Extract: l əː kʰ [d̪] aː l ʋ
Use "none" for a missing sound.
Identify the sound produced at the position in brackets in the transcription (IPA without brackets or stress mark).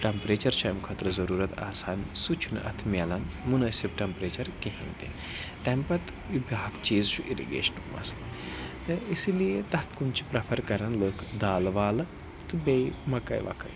d̪